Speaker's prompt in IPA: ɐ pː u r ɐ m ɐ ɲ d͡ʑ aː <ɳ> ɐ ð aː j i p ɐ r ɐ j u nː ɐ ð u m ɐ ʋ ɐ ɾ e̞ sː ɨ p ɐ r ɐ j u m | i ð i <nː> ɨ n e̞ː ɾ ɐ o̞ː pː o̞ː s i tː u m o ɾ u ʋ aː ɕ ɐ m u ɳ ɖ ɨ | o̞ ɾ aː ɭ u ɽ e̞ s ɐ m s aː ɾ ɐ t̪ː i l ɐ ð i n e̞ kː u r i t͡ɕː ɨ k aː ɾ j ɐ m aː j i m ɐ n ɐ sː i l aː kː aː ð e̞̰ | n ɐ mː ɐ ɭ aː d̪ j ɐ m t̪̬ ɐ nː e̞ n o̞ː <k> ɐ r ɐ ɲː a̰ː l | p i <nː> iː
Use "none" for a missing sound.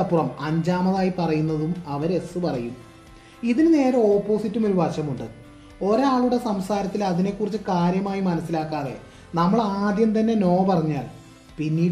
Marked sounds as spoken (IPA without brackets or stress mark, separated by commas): m, n, p, nː